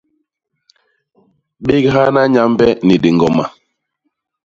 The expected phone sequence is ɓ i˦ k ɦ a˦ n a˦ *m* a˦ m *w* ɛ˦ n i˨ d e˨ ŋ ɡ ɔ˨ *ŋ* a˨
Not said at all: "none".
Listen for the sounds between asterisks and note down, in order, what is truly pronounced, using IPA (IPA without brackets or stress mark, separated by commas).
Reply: ɲ, b, m